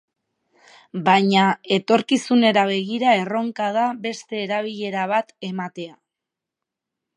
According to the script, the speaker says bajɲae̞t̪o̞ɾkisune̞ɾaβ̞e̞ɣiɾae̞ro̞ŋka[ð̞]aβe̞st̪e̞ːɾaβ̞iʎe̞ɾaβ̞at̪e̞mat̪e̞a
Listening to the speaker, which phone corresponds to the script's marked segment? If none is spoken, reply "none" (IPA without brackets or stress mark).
ð̞